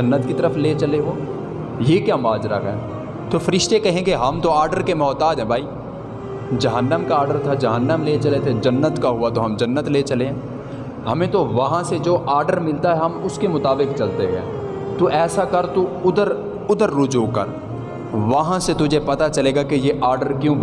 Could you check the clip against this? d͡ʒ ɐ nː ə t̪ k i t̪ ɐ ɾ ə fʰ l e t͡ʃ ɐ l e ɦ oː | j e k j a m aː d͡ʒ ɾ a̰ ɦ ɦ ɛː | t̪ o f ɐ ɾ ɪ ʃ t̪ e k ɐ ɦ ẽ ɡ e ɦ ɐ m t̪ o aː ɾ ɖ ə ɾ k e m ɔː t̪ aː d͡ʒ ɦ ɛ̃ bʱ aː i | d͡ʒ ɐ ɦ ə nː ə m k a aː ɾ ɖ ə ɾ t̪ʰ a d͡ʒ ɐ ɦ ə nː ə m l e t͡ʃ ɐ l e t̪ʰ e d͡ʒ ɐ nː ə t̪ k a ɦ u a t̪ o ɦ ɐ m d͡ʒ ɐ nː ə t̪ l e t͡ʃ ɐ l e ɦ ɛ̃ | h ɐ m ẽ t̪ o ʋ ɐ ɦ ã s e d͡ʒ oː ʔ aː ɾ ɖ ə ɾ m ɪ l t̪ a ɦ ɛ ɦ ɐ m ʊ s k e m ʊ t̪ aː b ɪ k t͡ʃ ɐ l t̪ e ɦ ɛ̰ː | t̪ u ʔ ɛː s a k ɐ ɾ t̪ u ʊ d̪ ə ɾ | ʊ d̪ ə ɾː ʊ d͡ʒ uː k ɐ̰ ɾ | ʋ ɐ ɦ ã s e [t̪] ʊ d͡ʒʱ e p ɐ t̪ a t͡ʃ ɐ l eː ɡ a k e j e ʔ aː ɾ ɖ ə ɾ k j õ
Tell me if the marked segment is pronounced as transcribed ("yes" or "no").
yes